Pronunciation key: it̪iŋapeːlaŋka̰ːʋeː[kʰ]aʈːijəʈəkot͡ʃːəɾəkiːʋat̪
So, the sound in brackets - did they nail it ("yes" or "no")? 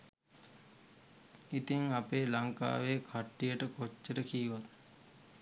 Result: yes